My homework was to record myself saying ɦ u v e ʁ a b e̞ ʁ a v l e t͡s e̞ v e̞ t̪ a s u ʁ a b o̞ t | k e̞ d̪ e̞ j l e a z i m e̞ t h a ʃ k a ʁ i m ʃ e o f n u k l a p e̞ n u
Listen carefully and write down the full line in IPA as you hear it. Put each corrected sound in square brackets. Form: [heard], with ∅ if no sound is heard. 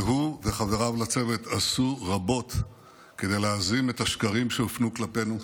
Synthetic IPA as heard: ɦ u v e [χ] a [v] e̞ ʁ a v l [a] t͡s e̞ v e̞ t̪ a s u ʁ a b o̞ t | k e̞ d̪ e̞ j l e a z i m e̞ t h a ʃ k a ʁ i m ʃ e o f n u k l a p e̞ n u